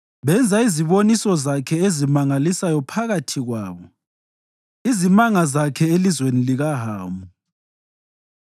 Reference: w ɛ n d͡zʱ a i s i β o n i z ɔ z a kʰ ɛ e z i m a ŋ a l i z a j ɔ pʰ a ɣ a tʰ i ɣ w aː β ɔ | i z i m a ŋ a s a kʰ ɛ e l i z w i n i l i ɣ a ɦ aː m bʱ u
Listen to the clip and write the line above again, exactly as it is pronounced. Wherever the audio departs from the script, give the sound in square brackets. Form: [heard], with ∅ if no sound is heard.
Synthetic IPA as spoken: [β] ɛ n d͡zʱ a i [z] i β o n i [s] ɔ z a kʰ ɛ e z i m a ŋ a l i [s] a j ɔ pʰ a ɣ a tʰ i ɣ w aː β ɔ | i z i m a ŋ a [z] a kʰ ɛ e l i z w [e] n i l i ɣ a ɦ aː m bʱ u